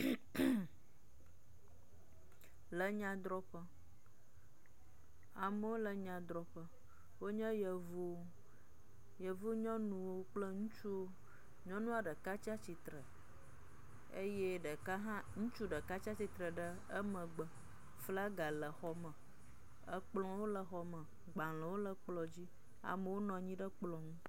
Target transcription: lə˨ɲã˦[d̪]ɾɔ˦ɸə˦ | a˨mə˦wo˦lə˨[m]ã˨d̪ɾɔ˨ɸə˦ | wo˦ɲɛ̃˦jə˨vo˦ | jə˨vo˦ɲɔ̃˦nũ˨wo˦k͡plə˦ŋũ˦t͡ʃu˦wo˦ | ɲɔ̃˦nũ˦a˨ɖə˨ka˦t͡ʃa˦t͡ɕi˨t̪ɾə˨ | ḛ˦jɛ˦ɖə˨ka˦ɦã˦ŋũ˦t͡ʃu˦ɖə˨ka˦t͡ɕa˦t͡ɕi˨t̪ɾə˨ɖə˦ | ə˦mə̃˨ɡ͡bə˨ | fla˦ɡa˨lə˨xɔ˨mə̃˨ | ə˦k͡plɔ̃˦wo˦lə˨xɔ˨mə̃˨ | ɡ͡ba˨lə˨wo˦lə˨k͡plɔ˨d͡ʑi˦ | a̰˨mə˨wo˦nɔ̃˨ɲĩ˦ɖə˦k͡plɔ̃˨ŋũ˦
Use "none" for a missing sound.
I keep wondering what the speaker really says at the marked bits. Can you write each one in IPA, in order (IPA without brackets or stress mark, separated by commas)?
d̪, ɲ